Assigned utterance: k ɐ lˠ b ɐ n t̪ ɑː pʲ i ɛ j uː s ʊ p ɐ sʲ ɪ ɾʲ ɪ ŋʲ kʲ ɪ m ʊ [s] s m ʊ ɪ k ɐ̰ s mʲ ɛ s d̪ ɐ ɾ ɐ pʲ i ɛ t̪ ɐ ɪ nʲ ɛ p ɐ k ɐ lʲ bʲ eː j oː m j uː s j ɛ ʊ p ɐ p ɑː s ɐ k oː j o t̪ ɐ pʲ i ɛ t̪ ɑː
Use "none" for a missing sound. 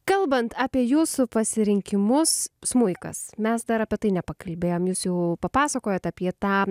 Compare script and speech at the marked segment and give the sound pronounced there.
s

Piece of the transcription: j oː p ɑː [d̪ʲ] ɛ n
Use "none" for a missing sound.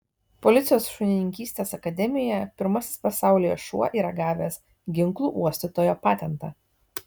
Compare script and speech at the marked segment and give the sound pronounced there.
t̪ʲ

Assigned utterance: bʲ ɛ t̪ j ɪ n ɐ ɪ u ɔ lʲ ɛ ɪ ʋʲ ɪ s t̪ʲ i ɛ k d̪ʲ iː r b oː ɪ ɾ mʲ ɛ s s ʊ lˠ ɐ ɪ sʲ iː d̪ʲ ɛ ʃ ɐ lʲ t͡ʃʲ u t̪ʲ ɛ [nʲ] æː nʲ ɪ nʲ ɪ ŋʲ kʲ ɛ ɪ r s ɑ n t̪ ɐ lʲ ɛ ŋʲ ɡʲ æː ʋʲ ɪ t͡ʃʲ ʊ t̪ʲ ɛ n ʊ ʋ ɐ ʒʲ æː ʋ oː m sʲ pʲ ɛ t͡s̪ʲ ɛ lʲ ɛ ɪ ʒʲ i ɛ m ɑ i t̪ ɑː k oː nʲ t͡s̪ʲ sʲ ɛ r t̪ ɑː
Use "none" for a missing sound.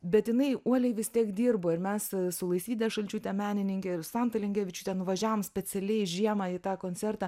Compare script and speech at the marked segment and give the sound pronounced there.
mʲ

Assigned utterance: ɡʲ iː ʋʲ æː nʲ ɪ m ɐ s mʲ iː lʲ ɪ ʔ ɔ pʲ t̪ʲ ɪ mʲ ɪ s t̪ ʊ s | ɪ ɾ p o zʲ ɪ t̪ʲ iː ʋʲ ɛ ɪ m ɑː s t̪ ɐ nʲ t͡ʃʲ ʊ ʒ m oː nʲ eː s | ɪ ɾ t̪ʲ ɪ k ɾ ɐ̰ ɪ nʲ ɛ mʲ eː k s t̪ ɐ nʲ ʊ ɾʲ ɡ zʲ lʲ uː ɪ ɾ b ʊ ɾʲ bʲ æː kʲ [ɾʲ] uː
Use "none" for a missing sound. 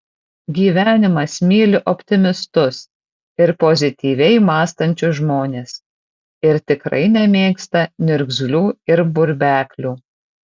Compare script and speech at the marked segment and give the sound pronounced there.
lʲ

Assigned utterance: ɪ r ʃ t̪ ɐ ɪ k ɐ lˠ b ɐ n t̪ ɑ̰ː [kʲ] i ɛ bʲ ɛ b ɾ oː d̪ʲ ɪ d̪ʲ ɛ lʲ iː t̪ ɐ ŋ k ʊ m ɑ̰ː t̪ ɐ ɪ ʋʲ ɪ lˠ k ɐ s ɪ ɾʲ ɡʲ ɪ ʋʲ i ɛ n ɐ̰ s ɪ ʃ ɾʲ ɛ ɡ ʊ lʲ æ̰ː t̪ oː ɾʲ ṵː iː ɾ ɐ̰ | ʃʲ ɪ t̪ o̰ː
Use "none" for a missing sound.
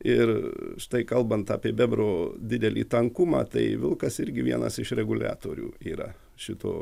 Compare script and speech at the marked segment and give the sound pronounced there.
pʲ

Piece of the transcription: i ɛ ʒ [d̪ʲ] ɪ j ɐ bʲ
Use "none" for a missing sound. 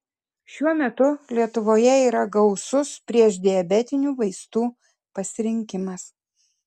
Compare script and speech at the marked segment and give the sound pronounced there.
d̪ʲ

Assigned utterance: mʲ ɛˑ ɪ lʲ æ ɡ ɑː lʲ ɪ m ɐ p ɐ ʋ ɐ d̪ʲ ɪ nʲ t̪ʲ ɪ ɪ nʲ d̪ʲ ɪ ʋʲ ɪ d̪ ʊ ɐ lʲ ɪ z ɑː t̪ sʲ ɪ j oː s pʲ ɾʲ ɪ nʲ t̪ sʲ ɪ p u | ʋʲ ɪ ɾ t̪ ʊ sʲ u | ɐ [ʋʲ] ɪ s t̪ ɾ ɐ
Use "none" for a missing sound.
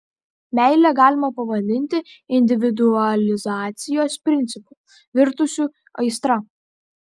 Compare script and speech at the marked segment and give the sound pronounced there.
none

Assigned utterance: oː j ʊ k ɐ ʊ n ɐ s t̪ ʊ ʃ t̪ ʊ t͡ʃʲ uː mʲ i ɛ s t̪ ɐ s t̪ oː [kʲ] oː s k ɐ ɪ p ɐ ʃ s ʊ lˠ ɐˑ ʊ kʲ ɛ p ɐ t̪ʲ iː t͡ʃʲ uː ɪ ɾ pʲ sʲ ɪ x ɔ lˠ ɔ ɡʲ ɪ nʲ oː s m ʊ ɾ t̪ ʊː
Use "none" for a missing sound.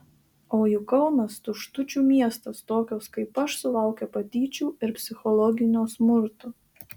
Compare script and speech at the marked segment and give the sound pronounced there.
kʲ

